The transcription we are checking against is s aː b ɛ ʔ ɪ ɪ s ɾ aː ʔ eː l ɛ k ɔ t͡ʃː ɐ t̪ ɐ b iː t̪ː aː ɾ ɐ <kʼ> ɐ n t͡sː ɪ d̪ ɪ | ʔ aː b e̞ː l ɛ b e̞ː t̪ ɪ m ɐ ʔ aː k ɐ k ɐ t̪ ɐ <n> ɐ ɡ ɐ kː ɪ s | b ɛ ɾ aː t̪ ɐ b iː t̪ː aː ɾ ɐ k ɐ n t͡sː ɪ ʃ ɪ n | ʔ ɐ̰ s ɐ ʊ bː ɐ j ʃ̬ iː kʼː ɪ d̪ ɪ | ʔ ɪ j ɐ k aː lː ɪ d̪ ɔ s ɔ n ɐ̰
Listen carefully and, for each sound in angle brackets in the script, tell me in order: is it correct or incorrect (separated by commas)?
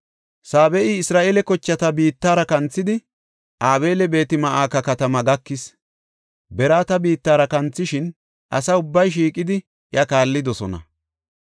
incorrect, incorrect